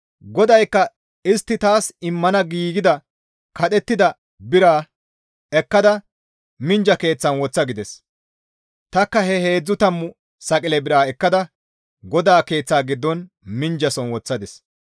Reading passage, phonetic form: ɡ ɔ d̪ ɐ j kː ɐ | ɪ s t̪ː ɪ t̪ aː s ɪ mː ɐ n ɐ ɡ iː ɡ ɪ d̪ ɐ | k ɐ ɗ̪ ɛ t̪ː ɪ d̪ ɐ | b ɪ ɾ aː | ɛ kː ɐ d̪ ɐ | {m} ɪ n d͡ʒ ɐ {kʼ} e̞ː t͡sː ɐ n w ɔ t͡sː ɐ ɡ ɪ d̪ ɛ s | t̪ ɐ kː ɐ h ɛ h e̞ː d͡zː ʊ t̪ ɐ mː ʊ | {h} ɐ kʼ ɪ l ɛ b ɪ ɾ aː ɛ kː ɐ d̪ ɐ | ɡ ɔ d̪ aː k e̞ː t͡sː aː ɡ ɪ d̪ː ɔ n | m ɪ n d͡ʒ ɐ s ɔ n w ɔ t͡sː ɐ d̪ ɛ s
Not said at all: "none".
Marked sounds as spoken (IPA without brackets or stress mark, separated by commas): m, k, s